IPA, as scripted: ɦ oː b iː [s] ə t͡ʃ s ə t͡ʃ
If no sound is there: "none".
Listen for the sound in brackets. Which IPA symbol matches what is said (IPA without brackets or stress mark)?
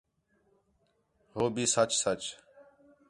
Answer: s